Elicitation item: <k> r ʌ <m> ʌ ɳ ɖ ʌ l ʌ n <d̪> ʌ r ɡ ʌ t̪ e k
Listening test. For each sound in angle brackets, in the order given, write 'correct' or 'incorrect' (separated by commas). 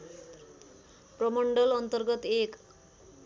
incorrect, correct, incorrect